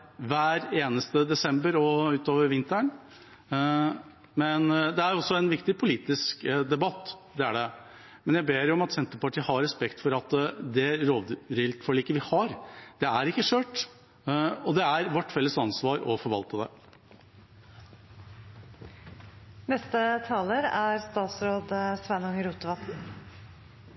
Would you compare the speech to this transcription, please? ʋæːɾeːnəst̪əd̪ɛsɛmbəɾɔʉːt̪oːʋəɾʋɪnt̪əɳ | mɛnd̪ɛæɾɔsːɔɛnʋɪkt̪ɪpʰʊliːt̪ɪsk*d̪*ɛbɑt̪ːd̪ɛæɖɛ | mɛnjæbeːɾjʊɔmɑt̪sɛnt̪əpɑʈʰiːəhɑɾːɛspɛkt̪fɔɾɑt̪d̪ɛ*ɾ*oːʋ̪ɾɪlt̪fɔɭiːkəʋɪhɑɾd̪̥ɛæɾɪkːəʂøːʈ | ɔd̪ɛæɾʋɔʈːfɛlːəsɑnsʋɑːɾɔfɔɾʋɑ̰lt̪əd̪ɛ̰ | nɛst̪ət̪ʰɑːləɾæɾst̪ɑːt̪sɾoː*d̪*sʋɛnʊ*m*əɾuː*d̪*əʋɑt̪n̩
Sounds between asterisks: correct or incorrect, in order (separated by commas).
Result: correct, correct, correct, incorrect, incorrect